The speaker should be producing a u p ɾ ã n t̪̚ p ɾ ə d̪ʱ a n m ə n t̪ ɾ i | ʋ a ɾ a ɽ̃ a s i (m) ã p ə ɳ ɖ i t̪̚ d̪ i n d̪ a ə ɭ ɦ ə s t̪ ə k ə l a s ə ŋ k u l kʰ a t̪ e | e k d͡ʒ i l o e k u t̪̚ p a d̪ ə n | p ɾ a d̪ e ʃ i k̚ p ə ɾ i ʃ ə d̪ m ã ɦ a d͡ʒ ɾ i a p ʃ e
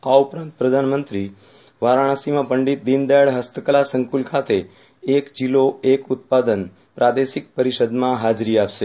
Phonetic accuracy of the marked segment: correct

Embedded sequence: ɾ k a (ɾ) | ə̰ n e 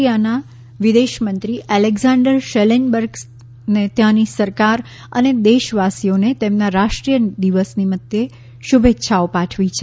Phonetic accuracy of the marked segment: correct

